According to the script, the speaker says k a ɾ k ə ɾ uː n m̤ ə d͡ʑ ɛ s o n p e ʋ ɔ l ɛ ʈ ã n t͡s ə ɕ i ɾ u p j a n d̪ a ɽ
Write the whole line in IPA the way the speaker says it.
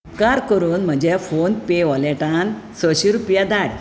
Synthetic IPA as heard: k a ɾ k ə ɾ uː n m̤ ə d͡ʑ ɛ f o n p e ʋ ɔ l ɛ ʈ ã n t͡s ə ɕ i ɾ u p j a d̪ a ɽ